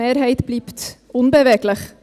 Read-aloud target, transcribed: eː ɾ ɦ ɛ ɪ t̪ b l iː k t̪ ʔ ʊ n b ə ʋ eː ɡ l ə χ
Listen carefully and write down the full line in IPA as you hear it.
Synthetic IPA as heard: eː ɾ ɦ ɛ ɪ t̪ b l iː p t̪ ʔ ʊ n b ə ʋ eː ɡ l ə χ